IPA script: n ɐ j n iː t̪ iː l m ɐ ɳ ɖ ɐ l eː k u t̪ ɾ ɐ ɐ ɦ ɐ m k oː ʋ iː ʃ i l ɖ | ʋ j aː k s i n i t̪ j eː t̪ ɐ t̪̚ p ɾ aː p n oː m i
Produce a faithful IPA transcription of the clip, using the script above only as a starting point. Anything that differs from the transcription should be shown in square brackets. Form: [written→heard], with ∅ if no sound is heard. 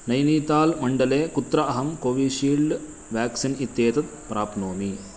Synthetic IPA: n ɐ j n iː t̪ [iː→aː] l m ɐ ɳ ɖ ɐ l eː k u t̪ ɾ ɐ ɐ ɦ ɐ m k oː ʋ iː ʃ [i→iː] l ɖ | ʋ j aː k s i n i t̪ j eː t̪ ɐ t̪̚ p ɾ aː p n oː m i